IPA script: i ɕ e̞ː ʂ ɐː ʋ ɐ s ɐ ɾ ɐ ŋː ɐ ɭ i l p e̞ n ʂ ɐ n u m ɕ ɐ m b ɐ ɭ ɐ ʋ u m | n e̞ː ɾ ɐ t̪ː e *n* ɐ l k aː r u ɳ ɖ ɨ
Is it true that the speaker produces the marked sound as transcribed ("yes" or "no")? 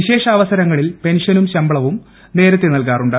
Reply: yes